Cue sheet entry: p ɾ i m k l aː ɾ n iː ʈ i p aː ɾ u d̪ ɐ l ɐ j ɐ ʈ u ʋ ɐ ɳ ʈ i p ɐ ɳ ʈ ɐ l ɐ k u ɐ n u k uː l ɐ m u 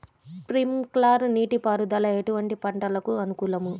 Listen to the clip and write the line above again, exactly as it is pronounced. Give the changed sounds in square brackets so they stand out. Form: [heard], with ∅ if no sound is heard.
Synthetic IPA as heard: p ɾ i m k l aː ɾ n iː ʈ i p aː ɾ u d̪ ɐ l ɐ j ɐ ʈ u ʋ ɐ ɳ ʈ i p ɐ ɳ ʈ ɐ l ɐ k u ɐ n u k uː l ɐ m u